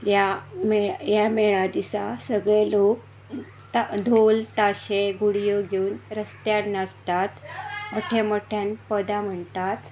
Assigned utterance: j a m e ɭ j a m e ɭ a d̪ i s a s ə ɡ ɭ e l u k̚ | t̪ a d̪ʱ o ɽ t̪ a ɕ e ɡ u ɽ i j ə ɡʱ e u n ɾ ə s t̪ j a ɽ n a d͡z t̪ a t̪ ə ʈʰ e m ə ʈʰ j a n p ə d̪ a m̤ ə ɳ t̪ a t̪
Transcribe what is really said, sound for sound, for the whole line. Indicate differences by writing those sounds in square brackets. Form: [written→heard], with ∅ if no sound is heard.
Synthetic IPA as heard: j a m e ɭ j a m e ɭ a d̪ i s a s ə ɡ ɭ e l [u→o] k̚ | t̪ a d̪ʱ o [ɽ→l] t̪ a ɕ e ɡ u ɽ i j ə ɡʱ e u n ɾ ə s t̪ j a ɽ n a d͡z t̪ a t̪ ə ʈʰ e m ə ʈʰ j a n p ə d̪ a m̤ ə ɳ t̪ a t̪